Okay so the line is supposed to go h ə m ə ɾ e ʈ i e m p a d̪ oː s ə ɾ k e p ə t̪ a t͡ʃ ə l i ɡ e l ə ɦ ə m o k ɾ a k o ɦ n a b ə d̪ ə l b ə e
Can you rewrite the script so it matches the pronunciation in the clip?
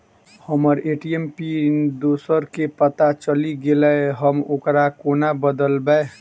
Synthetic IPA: h ə m ə ɾ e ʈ i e m p i d̪ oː s ə ɾ k e p ə t̪ a t͡ʃ ə l i ɡ e l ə ɦ ə m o k ɾ a k o n a b ə d̪ ə l b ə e